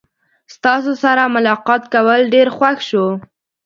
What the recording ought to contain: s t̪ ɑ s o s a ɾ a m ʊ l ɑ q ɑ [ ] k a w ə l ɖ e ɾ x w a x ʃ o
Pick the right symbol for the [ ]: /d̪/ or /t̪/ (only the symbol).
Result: t̪